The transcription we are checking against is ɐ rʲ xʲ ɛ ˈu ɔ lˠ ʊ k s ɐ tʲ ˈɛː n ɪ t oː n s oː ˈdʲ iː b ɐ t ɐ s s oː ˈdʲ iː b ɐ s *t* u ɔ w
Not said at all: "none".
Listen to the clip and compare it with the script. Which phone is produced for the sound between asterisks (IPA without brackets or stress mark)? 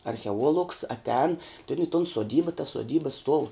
t